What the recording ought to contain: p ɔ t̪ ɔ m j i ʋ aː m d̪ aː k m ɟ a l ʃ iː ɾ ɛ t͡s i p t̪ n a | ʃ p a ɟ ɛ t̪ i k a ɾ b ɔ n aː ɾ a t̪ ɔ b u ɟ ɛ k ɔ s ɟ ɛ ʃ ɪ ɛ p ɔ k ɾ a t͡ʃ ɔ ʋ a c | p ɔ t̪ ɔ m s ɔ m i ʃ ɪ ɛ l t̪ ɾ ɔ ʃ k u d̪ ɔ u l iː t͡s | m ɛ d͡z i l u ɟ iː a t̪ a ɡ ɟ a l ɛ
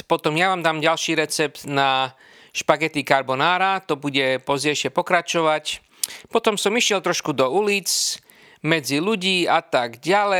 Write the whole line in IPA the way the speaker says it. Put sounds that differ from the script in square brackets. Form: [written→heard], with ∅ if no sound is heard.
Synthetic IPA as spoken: p ɔ t̪ ɔ m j [i→a] ʋ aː m d̪ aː [k→∅] m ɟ a l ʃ iː ɾ ɛ t͡s [i→ɛ] p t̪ n a | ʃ p a [ɟ→ɡ] ɛ t̪ i k a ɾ b ɔ n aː ɾ a t̪ ɔ b u ɟ ɛ [k→p] ɔ [s→z] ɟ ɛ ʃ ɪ ɛ p ɔ k ɾ a t͡ʃ ɔ ʋ a c | p ɔ t̪ ɔ m s ɔ m i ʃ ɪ ɛ l t̪ ɾ ɔ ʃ k u d̪ ɔ u l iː t͡s | m ɛ d͡z i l u ɟ iː a t̪ a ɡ ɟ a l ɛ